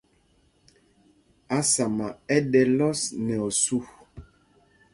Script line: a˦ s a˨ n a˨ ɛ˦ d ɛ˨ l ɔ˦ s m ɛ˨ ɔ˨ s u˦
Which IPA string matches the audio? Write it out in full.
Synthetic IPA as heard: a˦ s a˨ m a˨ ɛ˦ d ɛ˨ l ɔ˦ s n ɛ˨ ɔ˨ s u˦